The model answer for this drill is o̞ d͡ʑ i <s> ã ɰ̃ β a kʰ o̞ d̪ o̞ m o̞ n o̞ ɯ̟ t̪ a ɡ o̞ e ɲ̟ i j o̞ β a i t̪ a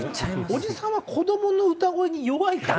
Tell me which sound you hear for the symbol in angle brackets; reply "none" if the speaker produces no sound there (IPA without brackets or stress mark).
s